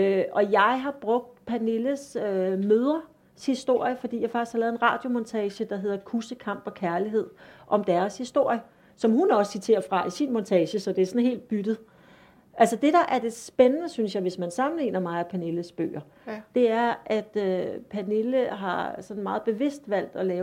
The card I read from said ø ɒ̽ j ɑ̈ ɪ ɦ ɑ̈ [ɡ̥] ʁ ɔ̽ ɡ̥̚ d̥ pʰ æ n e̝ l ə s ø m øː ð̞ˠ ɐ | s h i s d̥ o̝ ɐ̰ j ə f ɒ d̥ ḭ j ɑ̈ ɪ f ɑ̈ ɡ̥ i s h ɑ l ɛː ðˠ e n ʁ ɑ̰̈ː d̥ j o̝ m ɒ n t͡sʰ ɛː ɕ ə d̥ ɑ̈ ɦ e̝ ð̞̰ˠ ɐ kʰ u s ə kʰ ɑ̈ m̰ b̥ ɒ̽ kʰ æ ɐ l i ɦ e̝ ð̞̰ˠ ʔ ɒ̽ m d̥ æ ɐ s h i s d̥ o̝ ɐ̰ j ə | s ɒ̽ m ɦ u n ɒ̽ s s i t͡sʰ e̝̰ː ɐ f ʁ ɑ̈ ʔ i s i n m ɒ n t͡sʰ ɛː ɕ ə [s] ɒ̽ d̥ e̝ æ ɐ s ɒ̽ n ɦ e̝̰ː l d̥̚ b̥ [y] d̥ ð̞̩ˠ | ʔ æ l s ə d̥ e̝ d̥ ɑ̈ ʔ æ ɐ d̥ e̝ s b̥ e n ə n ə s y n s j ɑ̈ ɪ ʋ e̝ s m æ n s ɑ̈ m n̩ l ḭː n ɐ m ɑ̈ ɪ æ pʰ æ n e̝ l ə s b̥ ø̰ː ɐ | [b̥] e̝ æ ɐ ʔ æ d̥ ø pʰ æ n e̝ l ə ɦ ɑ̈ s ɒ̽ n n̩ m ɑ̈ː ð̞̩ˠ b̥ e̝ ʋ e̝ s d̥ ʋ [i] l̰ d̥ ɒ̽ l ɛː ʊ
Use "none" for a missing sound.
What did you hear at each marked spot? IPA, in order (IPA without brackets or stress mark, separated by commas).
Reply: b̥, s, y, d̥, æ